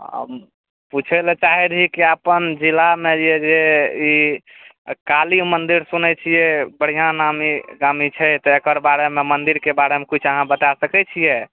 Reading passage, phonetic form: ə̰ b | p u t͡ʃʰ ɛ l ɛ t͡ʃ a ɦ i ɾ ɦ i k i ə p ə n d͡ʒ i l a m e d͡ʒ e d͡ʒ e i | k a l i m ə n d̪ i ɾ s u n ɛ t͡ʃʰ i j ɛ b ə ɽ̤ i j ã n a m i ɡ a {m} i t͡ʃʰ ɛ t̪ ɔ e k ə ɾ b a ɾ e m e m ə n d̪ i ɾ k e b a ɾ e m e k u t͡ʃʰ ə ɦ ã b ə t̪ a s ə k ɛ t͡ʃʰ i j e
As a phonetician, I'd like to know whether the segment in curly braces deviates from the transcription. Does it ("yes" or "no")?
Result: no